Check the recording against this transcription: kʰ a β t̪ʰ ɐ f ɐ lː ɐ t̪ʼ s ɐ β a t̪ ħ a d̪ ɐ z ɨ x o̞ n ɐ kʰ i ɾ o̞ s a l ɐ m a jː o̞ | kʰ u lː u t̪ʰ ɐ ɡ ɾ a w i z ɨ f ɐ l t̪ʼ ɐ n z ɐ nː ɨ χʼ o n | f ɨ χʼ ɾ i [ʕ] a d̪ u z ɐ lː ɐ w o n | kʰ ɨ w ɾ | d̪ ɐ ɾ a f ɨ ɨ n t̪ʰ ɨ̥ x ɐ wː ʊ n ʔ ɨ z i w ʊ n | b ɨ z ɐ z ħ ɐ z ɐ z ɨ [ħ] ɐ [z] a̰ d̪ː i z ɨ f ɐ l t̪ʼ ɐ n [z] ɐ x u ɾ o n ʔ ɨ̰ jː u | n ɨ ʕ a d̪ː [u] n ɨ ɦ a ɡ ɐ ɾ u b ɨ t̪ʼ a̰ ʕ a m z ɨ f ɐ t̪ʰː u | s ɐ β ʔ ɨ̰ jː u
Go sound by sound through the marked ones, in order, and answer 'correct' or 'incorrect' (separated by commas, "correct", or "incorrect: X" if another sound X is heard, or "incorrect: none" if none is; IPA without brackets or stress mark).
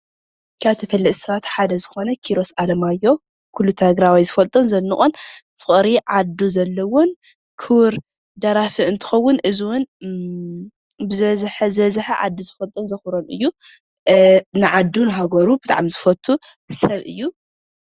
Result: correct, correct, incorrect: ʕ, correct, correct